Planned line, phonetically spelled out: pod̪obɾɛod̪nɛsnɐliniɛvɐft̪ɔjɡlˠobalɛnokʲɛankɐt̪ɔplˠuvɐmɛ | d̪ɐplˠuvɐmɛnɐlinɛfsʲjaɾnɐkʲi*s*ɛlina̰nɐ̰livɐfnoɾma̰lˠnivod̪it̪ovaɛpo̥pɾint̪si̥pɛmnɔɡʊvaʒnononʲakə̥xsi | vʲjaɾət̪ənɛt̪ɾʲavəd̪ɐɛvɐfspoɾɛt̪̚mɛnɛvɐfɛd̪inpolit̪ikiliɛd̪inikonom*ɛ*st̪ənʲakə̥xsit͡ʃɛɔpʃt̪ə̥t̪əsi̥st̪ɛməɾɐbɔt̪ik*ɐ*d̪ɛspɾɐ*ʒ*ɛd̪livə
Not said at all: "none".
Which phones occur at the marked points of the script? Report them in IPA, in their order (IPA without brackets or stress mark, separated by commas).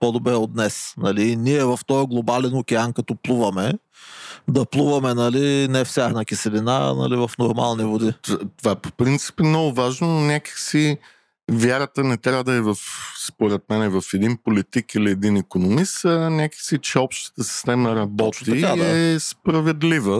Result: s, i, a, v